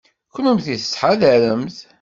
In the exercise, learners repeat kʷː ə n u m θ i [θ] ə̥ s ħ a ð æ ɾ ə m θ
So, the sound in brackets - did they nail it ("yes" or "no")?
yes